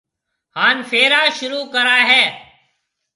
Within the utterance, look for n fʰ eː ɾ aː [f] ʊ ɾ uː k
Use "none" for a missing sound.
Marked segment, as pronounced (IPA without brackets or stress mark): ʃ